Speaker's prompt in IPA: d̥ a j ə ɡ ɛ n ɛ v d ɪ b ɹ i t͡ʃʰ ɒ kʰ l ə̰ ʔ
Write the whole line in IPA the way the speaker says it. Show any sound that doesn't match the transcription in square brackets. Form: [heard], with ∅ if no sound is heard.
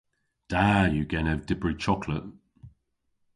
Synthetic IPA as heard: d̥ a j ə ɡ ɛ n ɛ v d ɪ b ɹ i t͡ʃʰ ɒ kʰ l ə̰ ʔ